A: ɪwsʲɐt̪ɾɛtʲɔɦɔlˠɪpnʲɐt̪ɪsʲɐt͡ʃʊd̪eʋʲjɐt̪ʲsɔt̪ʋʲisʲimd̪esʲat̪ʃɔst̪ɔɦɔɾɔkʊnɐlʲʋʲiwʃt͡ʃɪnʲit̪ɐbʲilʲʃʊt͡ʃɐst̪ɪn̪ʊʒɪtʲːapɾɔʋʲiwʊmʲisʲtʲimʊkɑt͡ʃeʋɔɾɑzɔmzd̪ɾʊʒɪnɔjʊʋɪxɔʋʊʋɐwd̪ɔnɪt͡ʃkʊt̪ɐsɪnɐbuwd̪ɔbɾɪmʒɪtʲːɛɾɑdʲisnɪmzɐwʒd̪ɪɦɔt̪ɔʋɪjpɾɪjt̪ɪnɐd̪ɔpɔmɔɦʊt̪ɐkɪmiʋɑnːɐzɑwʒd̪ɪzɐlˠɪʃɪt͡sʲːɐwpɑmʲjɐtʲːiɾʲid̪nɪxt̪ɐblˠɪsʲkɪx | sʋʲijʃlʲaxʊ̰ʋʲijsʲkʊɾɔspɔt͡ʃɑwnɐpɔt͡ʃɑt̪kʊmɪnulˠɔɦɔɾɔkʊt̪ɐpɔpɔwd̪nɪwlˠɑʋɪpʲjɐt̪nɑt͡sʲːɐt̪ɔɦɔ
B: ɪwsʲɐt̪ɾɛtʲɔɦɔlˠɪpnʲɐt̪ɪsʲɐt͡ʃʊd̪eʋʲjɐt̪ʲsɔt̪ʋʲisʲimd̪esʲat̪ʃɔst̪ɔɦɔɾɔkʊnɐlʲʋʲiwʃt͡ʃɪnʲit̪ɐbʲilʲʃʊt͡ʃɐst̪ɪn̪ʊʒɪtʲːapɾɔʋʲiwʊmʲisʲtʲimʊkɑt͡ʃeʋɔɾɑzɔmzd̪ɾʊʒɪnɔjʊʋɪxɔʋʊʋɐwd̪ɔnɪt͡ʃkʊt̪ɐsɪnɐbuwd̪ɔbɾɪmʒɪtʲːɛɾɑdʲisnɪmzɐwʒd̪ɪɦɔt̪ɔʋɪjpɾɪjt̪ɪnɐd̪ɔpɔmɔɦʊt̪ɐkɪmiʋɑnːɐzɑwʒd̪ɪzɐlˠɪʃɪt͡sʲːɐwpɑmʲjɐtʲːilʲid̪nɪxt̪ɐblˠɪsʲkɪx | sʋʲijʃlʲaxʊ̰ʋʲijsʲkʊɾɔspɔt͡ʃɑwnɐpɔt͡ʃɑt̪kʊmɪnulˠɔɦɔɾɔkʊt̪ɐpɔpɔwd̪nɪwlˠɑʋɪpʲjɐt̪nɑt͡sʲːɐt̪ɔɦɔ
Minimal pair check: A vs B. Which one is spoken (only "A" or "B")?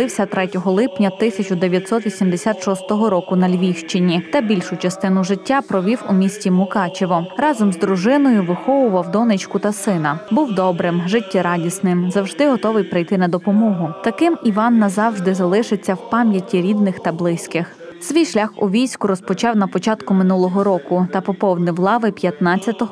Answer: A